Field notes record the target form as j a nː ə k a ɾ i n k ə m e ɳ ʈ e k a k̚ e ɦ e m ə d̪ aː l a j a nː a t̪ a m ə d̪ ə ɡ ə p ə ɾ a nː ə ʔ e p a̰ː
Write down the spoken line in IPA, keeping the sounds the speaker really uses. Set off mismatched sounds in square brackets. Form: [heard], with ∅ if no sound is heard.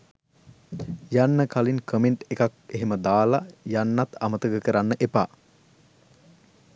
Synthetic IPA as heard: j a nː ə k a [l] i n k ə m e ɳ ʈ e k a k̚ e ɦ e m ə d̪ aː l a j a nː a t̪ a m ə [t̪] ə ɡ ə [k] ə ɾ a nː ə ʔ e p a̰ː